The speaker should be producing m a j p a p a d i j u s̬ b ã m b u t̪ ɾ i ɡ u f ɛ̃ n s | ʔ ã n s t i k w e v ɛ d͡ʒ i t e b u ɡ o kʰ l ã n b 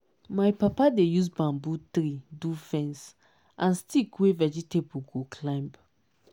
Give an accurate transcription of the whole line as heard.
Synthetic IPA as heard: m a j p a p a d e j u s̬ b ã m b u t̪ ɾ i d u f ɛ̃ n s | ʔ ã n s t i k w e v ɛ d͡ʒ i t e b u ɡ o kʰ l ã m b